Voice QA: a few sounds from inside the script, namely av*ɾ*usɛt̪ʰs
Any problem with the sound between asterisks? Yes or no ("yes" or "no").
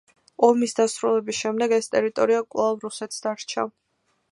no